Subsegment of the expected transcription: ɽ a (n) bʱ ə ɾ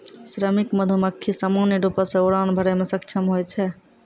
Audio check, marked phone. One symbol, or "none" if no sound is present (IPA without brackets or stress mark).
n